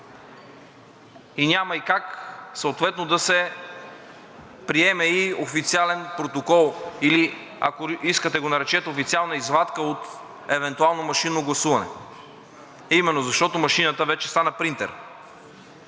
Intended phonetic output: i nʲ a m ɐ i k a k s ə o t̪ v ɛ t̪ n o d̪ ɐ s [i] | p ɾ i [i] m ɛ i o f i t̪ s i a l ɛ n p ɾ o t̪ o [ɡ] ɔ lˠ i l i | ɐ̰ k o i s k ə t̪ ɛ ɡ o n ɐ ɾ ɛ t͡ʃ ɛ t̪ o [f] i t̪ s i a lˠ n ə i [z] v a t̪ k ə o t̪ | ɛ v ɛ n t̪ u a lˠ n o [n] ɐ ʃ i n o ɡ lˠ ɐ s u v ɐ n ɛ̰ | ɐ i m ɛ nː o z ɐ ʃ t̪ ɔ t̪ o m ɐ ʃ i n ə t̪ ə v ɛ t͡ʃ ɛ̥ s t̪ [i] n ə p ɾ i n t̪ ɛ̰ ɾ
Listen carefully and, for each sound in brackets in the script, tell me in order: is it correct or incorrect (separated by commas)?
incorrect, incorrect, incorrect, correct, correct, incorrect, incorrect